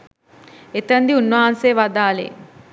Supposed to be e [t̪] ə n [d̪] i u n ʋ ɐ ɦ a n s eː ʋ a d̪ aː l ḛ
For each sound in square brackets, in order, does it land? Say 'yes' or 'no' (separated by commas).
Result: yes, yes